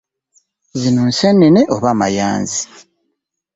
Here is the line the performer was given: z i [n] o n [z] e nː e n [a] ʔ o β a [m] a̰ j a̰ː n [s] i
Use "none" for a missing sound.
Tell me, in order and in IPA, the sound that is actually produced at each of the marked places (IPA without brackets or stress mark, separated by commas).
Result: n, s, e, m, z